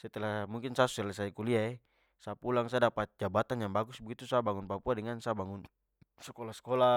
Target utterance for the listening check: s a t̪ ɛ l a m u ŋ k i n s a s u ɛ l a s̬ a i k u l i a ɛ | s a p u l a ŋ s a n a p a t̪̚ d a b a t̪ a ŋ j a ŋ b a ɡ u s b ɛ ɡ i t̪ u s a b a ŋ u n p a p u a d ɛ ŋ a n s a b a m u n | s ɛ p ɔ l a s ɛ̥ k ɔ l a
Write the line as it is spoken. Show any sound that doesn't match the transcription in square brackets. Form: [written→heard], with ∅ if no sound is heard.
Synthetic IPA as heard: s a t̪ ɛ l a m u ŋ k i n s a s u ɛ l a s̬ a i k u l i a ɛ | s a p u l a ŋ s a [n→d] a p a t̪̚ [d→d͡ʒ] a b a t̪ a [ŋ→n] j a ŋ b a ɡ u s b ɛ ɡ i t̪ u s a b a ŋ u n p a p u a d ɛ ŋ a n s a b a [m→ŋ] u n | s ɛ [p→k] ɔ l a s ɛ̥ k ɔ l a